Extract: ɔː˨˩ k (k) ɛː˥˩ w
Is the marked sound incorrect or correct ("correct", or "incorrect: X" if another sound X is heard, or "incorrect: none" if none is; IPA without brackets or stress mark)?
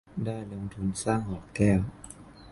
correct